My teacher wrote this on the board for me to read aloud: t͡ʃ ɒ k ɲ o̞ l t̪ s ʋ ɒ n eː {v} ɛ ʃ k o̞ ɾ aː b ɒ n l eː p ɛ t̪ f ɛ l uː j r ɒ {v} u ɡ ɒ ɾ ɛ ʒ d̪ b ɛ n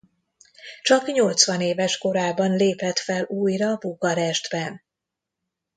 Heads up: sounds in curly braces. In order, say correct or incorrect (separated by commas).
correct, incorrect